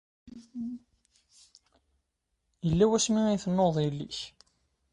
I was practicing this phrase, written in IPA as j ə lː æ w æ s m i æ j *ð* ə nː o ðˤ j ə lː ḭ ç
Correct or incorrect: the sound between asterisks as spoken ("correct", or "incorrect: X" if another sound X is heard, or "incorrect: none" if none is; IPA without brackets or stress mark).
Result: incorrect: θ